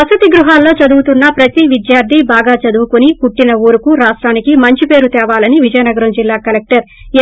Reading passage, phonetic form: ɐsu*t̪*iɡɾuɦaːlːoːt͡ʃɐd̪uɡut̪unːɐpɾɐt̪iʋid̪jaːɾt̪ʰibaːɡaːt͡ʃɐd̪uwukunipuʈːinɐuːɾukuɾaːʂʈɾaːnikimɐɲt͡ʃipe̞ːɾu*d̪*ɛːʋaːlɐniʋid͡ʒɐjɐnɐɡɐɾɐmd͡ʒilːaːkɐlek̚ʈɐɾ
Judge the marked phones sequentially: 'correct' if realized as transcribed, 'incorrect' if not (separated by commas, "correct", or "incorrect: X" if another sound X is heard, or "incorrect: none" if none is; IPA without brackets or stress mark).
correct, incorrect: t̪